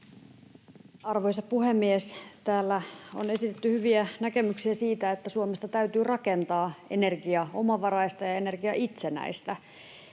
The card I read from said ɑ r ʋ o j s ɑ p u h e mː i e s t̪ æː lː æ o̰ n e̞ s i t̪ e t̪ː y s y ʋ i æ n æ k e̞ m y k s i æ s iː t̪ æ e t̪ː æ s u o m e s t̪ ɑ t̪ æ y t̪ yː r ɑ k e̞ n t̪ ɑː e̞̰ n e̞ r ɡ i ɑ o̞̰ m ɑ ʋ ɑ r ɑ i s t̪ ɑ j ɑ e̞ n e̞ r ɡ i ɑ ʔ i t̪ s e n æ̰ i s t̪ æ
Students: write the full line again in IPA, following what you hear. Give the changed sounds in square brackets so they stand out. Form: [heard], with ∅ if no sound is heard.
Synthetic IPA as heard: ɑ r ʋ o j s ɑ p u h e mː i e s t̪ æː lː æ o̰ n e̞ s i t̪ e t̪ː y [h] y ʋ i æ n æ k e̞ m y k s i æ s iː t̪ æ e t̪ː æ s u o m e s t̪ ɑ t̪ æ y t̪ yː r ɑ k e̞ n t̪ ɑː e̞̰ n e̞ r ɡ i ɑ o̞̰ m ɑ ʋ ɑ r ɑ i s t̪ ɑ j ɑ e̞ n e̞ r ɡ i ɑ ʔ i t̪ s e n æ̰ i s t̪ æ